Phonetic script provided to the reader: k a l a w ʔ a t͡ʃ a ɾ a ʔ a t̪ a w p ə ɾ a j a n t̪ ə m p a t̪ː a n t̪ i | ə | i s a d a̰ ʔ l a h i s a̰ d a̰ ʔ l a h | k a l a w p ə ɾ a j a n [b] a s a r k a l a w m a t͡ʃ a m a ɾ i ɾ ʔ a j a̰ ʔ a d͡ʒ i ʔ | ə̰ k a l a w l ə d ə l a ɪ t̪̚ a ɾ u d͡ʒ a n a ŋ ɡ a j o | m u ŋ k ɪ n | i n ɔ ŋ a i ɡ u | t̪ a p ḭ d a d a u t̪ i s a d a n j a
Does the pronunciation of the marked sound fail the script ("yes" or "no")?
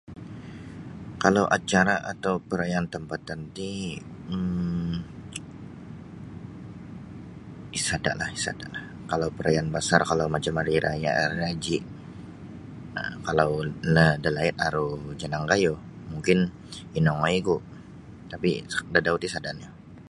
no